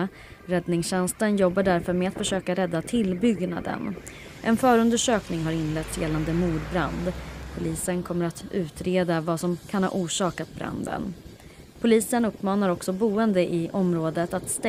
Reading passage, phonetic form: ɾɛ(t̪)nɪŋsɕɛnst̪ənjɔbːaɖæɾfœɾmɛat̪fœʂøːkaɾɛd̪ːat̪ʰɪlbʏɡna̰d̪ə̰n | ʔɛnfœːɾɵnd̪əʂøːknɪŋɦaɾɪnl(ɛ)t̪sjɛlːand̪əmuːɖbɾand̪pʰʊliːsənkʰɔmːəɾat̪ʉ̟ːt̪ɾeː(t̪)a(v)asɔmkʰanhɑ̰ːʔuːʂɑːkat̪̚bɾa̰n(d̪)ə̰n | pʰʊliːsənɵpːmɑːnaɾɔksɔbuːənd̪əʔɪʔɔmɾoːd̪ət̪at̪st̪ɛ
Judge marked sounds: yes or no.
no, yes, no, yes, yes

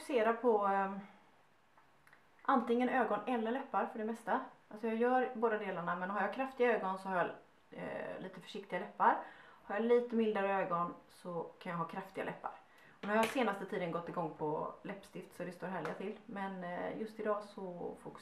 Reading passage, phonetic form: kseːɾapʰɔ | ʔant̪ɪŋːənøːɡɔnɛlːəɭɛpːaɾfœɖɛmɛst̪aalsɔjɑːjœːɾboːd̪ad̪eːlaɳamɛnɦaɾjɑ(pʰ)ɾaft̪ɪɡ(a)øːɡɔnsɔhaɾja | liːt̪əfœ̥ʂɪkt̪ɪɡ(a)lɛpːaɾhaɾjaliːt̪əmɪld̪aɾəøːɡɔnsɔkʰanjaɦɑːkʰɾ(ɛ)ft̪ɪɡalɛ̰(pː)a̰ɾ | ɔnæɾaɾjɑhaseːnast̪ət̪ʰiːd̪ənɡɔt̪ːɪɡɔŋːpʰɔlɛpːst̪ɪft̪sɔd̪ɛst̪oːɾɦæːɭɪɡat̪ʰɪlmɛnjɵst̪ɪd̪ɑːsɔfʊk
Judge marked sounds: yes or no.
no, yes, yes, no, yes

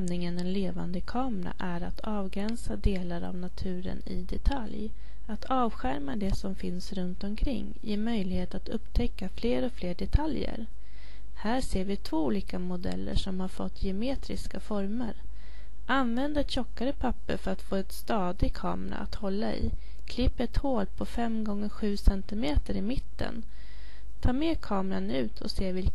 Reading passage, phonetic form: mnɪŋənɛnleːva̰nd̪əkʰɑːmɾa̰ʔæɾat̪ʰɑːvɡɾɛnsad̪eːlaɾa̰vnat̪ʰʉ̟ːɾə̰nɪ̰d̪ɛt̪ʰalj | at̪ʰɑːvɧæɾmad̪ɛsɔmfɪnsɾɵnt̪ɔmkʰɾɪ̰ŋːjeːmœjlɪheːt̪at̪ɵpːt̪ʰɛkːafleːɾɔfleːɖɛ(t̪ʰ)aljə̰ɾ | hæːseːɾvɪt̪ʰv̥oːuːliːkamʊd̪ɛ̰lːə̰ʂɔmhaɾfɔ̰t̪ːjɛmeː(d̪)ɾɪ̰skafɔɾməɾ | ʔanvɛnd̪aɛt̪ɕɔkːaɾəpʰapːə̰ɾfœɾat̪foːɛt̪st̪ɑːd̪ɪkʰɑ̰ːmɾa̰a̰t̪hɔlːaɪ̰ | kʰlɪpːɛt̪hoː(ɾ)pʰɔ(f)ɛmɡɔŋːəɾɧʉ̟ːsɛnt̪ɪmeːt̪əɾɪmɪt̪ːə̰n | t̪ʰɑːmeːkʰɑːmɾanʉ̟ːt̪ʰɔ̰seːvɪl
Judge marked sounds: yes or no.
yes, no, no, yes

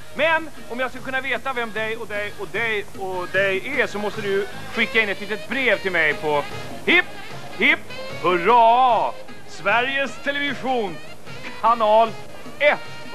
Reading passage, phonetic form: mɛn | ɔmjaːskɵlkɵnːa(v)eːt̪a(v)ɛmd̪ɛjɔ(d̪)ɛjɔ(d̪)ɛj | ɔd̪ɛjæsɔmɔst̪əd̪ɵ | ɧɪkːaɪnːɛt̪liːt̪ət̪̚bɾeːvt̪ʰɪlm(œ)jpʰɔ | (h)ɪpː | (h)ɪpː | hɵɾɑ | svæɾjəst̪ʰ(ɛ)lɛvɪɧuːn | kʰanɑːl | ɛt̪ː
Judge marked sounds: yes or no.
yes, yes, yes, yes, no, yes, yes, yes

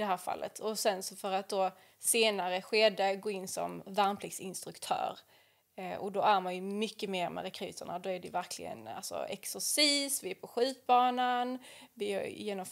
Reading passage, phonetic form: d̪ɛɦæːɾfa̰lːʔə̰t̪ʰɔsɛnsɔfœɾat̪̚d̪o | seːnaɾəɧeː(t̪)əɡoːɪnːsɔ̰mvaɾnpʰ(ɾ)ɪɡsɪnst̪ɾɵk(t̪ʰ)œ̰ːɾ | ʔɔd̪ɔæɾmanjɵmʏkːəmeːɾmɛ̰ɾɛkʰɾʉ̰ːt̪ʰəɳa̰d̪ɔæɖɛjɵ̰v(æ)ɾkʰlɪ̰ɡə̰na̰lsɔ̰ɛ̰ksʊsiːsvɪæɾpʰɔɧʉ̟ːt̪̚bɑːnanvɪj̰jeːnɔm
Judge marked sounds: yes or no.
no, no, yes, yes

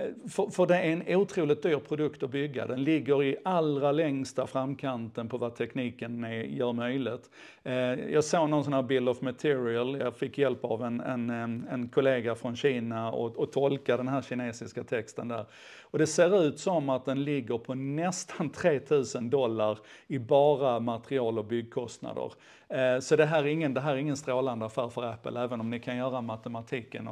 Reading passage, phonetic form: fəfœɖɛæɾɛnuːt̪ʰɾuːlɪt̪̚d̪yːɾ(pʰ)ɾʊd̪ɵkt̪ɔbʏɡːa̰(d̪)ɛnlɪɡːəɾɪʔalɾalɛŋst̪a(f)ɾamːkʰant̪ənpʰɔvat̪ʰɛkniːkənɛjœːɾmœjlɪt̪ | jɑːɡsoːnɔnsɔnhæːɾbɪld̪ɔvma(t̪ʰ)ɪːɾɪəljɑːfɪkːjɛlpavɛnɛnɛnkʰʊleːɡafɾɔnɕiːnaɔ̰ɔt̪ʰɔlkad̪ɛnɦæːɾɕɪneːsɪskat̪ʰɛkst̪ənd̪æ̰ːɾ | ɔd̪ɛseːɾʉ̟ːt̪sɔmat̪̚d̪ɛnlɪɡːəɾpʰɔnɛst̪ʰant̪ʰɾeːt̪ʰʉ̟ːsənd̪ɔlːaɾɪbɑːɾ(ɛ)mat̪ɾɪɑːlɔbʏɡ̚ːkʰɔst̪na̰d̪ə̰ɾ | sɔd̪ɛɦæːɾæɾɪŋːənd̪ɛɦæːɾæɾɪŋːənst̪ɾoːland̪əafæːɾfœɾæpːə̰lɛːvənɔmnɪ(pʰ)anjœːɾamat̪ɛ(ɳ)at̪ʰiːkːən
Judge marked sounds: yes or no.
yes, yes, yes, yes, no, no, no

